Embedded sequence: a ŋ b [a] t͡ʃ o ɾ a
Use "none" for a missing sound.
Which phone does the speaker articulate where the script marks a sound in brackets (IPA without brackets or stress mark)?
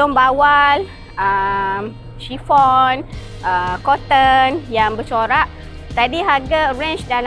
ə